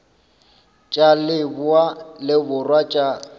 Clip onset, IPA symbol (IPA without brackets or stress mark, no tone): t͡ʃʼ